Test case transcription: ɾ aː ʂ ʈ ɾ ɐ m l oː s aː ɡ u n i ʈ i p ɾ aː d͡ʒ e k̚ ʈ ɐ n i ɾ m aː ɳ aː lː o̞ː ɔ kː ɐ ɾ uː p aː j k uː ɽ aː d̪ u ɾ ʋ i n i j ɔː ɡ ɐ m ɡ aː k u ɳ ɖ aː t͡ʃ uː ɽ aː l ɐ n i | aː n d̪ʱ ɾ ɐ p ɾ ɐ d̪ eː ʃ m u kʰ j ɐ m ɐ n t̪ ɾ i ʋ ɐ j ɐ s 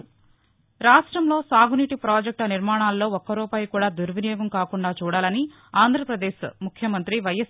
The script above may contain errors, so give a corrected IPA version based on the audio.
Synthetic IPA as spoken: ɾ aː ʂ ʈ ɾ ɐ m l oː s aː ɡ u n i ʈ i p ɾ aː d͡ʒ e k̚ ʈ ɐ n i ɾ m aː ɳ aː lː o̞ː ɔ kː ɐ ɾ uː p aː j k uː ɽ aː d̪ u ɾ ʋ i n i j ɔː ɡ ɐ m k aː k u ɳ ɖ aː t͡ʃ uː ɽ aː l ɐ n i | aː n d̪ʱ ɾ ɐ p ɾ ɐ d̪ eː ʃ m u kʰ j ɐ m ɐ n t̪ ɾ i ʋ ɐ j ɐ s